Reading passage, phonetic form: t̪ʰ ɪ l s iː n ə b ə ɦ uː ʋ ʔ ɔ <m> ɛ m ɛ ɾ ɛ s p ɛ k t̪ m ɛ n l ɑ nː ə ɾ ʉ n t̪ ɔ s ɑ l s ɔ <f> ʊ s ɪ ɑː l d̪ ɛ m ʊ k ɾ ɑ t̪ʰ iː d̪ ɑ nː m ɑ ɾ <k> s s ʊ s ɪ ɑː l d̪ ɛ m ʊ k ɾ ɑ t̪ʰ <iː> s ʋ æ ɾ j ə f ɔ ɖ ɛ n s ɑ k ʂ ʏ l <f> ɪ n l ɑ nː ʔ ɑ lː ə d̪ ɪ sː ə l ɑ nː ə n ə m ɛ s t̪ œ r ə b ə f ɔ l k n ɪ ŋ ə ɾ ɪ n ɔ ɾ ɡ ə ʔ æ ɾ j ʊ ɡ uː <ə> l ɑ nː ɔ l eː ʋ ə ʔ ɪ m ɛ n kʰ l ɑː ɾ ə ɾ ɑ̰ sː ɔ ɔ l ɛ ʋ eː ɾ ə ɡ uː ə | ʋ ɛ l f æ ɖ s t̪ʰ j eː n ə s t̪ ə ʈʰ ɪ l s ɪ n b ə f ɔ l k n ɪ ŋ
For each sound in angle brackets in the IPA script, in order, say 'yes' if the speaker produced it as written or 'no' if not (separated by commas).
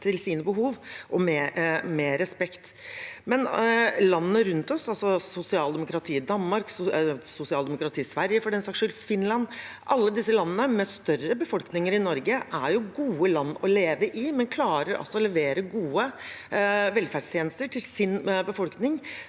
yes, no, yes, yes, yes, yes